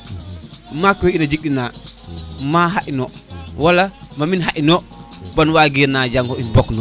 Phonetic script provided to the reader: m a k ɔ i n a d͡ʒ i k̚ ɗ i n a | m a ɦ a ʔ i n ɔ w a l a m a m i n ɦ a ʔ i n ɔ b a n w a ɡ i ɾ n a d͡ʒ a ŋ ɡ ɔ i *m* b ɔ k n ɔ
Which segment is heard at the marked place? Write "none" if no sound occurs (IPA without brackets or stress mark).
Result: n